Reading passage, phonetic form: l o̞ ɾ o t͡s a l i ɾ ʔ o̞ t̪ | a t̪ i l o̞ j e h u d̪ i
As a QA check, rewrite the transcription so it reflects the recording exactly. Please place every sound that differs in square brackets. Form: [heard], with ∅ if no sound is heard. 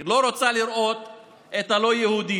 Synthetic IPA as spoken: l o̞ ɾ o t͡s a l i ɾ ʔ o̞ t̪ | [e] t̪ [a] l o̞ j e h u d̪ i